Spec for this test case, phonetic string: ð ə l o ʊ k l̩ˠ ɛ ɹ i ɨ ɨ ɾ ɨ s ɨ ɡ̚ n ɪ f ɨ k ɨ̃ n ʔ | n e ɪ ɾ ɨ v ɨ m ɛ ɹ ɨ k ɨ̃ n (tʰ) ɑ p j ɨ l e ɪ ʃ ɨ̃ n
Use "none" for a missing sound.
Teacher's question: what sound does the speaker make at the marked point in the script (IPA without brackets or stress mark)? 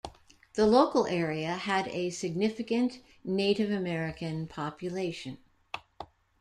pʰ